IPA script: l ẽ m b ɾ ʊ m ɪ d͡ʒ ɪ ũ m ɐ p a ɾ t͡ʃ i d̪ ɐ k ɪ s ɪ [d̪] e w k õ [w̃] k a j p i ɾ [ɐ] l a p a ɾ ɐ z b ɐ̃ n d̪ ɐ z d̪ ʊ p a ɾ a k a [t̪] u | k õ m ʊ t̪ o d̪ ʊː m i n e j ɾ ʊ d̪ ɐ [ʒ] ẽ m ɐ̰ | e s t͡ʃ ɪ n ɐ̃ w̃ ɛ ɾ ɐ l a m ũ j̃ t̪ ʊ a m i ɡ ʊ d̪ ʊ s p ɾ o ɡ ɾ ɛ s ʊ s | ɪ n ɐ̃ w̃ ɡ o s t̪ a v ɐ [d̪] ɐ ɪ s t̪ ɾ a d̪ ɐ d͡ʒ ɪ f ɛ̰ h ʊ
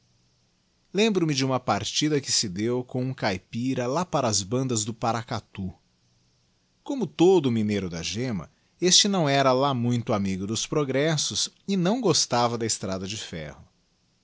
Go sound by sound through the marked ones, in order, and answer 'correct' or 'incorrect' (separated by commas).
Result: correct, incorrect, correct, correct, correct, correct